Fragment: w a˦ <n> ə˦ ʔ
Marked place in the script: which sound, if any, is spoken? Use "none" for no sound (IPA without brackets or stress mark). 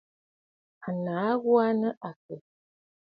n